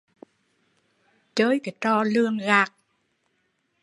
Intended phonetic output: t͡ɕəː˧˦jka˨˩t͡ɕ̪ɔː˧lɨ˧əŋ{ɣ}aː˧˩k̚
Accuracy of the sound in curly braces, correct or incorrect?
correct